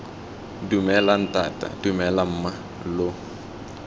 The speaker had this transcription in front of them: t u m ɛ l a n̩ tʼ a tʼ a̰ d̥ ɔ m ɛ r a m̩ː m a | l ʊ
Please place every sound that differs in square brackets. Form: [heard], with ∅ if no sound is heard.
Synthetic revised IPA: [d] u m ɛ l a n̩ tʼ a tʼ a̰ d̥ [u] m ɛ [l] a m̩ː m a | l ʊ